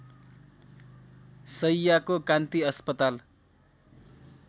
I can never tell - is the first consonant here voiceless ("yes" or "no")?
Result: yes